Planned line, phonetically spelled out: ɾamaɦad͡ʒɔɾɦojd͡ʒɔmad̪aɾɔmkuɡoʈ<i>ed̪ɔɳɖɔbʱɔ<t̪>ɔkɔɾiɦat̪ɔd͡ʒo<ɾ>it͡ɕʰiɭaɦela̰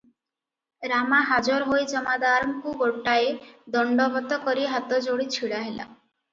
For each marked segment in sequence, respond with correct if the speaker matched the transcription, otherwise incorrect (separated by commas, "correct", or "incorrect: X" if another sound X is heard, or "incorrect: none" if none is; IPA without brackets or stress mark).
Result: incorrect: a, correct, incorrect: ɽ